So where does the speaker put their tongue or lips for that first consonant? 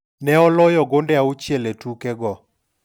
tongue tip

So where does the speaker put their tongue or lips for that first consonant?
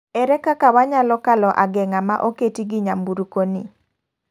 tongue tip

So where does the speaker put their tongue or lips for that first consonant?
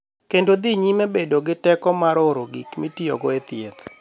velum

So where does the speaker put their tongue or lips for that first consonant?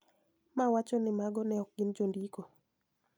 lips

